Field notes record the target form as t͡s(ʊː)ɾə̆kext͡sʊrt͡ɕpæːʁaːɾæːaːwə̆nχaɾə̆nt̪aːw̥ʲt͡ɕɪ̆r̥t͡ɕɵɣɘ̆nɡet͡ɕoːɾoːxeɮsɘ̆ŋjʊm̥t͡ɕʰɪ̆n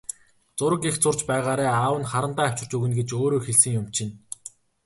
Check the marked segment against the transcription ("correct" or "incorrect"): incorrect